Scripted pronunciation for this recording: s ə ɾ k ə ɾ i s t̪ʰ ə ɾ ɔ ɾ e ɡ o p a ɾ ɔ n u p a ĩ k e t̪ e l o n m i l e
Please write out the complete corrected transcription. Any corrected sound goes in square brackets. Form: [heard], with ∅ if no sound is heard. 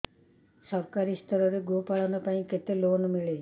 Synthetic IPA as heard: s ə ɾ k [a] ɾ i s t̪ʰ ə ɾ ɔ ɾ e ɡ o p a [ɭ] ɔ n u p a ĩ k e t̪ e l o n m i [ɭ] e